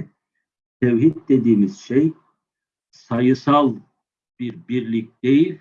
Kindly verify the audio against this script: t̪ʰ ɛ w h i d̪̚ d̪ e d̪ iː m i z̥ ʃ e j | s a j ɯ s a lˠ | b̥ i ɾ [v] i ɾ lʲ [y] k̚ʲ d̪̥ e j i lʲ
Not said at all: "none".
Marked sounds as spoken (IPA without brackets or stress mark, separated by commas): b, i